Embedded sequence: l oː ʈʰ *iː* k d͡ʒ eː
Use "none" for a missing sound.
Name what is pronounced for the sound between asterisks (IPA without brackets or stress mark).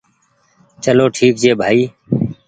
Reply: iː